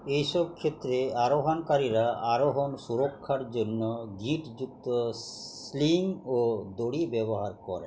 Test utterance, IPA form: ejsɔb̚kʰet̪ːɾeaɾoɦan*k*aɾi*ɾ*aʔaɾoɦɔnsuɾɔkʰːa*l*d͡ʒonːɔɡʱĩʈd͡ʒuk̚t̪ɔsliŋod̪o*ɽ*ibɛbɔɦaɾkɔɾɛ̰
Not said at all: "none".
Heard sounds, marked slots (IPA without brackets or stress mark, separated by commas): k, ɾ, ɾ, ɽ